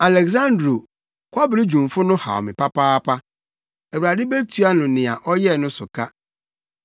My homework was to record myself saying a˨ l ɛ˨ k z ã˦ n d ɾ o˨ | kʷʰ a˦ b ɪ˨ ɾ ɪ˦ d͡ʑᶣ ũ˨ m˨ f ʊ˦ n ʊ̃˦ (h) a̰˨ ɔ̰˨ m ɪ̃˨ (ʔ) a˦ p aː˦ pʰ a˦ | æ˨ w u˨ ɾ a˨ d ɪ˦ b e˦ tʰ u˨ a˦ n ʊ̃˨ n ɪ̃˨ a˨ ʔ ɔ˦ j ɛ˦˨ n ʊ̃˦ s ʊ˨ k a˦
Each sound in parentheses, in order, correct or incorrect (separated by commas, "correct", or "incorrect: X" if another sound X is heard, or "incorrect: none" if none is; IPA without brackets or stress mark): correct, incorrect: p